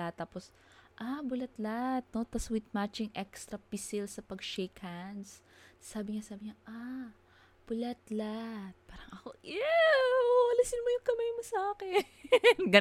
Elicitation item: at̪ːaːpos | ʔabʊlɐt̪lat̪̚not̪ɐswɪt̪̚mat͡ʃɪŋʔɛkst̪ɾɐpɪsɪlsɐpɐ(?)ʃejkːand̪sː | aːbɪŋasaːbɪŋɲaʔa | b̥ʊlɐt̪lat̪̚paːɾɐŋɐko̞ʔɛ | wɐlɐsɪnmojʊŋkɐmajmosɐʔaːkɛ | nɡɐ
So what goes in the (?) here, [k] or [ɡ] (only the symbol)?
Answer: ɡ